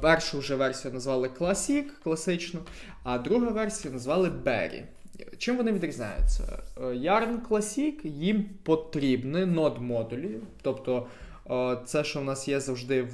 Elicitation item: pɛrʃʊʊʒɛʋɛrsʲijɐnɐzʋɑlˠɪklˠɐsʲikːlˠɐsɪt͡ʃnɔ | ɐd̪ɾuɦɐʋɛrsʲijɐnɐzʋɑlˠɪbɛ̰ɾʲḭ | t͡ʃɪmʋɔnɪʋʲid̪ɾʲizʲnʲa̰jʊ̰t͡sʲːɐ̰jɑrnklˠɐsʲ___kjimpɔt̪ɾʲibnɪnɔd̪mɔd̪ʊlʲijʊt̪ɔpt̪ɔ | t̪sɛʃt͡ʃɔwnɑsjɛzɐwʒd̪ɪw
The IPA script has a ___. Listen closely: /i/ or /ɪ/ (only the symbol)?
i